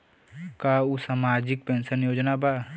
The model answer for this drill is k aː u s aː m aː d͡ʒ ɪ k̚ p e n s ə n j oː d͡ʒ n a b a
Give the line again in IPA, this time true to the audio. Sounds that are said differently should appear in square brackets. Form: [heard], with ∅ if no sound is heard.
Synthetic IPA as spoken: k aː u s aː m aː d͡ʒ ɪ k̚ p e n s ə n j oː d͡ʒ n a b a